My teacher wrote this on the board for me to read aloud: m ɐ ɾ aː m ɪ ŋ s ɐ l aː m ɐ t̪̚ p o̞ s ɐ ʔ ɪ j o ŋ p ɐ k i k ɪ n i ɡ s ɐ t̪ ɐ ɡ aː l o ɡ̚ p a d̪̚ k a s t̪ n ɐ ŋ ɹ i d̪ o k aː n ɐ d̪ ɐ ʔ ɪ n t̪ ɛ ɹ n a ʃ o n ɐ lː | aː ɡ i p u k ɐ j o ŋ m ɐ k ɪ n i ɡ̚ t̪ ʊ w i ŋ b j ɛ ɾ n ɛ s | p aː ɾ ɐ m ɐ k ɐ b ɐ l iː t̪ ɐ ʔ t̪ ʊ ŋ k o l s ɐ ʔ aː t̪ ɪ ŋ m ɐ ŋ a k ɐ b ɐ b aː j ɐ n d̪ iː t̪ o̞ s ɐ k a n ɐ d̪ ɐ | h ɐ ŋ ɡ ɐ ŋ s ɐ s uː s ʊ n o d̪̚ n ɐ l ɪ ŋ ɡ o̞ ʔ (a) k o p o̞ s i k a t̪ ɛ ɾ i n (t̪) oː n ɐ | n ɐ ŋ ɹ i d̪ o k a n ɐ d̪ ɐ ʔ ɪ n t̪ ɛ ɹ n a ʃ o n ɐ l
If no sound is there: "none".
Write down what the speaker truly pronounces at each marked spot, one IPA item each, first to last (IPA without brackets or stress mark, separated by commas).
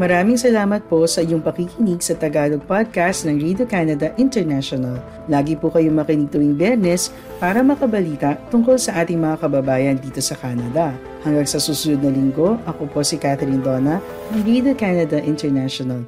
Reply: ɐ, d̪